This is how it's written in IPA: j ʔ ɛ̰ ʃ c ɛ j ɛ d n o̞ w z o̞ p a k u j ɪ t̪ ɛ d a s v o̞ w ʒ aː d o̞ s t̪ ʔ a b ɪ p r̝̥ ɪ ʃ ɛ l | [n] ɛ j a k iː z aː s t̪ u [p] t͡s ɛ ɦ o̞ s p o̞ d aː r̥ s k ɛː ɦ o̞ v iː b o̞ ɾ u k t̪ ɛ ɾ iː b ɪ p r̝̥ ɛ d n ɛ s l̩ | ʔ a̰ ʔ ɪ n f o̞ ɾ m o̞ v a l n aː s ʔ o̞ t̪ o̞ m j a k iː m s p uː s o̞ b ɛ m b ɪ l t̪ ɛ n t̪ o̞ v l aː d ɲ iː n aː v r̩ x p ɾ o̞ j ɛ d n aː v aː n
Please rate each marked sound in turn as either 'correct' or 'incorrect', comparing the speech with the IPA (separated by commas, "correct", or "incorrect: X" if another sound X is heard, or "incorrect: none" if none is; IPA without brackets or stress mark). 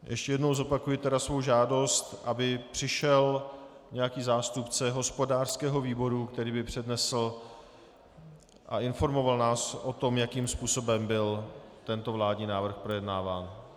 incorrect: ɲ, correct